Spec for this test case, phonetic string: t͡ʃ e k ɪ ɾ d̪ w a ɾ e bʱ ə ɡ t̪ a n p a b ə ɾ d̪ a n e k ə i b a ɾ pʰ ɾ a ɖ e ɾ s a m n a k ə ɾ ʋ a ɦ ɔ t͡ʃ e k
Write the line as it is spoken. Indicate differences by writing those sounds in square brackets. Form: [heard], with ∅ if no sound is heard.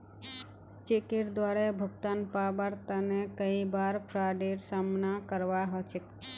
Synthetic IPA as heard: t͡ʃ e k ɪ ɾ d̪ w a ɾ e bʱ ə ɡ t̪ a n p a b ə ɾ [t̪] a n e k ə i b a ɾ pʰ ɾ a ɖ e ɾ s a m n a k ə ɾ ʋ a ɦ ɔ t͡ʃ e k